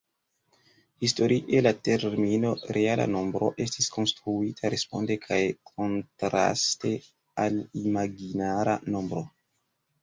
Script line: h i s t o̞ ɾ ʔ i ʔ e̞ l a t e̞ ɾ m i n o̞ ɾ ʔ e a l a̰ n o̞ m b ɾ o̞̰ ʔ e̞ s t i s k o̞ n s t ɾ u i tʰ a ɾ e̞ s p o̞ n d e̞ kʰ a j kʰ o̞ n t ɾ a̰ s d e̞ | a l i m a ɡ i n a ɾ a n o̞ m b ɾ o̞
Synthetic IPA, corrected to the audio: h i s t o̞ ɾ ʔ i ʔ e̞ l a t e̞ ɾ m i n o̞ ɾ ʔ e a l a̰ n o̞ m b ɾ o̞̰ ʔ e̞ s t i s k o̞ n s t ɾ u i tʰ a ɾ e̞ s p o̞ n d e̞ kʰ a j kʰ o̞ n t ɾ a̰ s t e̞ | a l i m a ɡ i n a ɾ a n o̞ m b ɾ o̞